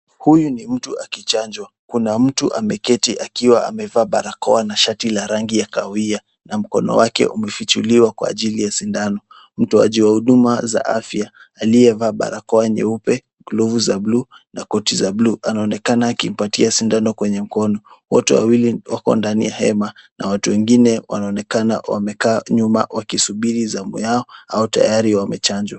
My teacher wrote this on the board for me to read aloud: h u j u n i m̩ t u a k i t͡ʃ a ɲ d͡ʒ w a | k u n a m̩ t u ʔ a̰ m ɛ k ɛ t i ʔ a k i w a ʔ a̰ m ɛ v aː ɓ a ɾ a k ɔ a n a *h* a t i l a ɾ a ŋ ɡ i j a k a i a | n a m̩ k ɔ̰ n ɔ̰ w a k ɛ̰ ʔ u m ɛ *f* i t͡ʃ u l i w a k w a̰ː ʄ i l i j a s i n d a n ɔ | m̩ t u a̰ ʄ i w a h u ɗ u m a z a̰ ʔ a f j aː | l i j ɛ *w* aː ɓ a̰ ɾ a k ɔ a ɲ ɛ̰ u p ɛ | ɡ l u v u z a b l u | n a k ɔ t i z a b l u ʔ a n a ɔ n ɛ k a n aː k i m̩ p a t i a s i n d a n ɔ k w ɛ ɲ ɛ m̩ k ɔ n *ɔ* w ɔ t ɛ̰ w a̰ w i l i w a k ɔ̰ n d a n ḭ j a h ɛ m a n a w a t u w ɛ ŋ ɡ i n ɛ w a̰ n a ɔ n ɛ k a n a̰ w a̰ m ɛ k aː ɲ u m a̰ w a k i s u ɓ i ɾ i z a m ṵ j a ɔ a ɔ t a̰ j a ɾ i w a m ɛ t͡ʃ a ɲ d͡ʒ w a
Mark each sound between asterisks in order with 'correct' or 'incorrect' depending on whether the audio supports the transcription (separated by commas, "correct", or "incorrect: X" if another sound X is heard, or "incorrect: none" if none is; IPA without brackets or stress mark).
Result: incorrect: ʃ, correct, incorrect: v, correct